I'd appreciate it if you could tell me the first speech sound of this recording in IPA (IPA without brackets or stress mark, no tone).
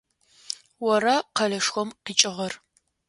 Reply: w